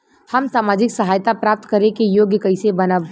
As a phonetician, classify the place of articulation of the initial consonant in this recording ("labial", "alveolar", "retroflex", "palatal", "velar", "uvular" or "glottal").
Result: glottal